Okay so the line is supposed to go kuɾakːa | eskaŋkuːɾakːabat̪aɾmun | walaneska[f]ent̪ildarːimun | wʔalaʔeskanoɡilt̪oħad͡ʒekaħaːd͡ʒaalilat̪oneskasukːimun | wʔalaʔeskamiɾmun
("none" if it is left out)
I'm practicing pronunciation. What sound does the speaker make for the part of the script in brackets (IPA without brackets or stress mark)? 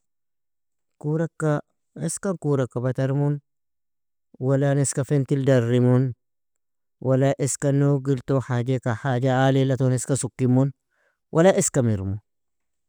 f